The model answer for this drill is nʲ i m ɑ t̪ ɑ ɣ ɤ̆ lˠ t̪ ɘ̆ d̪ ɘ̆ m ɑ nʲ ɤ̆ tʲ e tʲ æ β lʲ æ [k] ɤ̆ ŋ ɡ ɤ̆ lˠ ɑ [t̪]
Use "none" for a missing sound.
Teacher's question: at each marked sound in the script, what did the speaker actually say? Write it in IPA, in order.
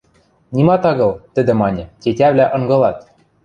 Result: ʔ, t̪

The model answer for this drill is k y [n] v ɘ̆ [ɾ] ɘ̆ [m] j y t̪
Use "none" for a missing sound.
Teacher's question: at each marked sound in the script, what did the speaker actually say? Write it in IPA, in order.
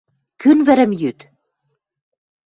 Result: n, ɾ, m

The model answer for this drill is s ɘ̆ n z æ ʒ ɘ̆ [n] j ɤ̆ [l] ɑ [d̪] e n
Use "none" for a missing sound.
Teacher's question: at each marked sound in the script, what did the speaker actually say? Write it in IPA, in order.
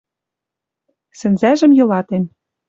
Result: m, l, t̪

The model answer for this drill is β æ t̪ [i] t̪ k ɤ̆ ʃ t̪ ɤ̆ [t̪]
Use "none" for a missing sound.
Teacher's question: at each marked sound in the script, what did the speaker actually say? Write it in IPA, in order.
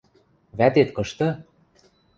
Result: e, none

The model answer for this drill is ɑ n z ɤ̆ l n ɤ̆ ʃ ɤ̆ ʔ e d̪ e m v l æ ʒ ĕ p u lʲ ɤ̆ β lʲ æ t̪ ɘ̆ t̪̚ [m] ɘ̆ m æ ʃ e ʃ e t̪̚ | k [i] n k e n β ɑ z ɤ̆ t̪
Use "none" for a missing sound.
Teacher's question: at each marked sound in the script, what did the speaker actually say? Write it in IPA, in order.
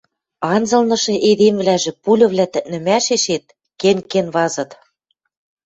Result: n, e

